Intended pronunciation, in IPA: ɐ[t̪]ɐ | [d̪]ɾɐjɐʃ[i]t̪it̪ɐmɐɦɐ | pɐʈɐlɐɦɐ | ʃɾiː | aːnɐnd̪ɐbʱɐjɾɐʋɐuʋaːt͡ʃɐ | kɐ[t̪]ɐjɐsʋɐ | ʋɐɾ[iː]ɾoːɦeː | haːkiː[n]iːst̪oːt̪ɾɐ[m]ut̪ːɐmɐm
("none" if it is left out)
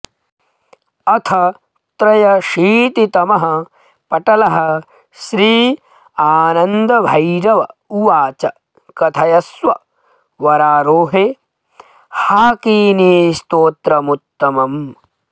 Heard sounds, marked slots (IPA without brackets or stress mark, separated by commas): t̪ʰ, t̪, iː, t̪ʰ, aː, n, m